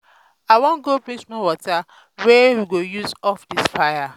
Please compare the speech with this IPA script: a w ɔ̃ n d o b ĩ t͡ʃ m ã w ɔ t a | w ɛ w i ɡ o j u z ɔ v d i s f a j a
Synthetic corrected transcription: a w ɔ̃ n ɡ o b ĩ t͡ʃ m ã w ɔ t a | w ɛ w i ɡ o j u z ɔ f d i s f a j a